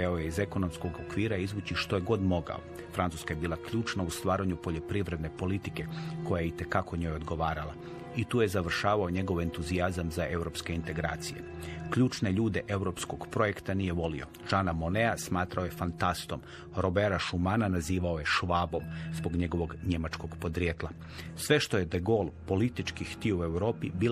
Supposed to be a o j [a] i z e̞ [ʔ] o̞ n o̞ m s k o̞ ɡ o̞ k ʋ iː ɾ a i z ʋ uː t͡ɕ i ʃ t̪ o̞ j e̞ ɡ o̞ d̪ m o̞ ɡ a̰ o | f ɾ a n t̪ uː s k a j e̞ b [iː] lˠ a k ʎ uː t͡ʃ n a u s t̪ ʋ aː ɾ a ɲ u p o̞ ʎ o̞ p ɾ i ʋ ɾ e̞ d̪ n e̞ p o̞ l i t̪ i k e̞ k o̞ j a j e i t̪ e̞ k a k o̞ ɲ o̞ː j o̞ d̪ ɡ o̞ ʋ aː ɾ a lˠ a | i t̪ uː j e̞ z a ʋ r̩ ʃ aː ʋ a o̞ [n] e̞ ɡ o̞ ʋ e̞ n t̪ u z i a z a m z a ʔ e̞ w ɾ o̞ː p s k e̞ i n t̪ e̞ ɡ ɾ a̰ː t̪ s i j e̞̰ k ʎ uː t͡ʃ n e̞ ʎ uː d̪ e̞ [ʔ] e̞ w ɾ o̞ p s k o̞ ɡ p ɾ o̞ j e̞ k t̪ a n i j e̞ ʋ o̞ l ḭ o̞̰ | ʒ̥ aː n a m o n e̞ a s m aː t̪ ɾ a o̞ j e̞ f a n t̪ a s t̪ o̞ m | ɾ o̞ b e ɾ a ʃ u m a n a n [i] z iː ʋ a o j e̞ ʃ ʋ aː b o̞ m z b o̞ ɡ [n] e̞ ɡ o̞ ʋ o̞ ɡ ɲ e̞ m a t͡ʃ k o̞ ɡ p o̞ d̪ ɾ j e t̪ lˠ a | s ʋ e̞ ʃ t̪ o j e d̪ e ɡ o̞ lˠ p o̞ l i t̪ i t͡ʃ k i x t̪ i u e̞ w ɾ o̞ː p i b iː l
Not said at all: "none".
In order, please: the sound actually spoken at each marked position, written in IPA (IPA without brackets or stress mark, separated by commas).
e, k, iː, ɲ, ʔ, a, ɲ